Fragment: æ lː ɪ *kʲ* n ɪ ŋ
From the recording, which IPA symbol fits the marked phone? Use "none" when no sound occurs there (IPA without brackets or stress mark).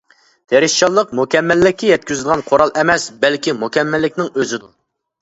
kʲ